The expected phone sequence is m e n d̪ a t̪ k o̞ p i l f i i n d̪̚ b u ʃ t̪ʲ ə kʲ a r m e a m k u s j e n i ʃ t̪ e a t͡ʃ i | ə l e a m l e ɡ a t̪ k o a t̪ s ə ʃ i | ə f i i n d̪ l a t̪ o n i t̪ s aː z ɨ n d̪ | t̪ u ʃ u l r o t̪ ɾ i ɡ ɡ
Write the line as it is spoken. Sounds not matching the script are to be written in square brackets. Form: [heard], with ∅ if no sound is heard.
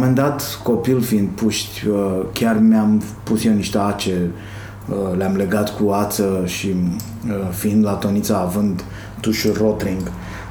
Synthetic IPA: m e n d̪ a t̪ k o̞ p i l f i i n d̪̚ [p] u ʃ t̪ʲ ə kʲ a r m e a m [p] u s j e n i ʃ t̪ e a t͡ʃ [e] | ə l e a m l e ɡ a t̪ k [u] a t̪ s ə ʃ i | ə f i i n d̪ l a t̪ o n i t̪ s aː [v] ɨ n d̪ | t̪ u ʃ u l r o t̪ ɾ i [ŋ] ɡ